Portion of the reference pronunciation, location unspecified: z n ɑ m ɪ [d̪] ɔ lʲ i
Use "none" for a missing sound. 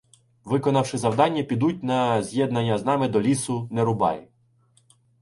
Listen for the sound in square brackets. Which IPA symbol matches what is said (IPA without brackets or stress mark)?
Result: d̪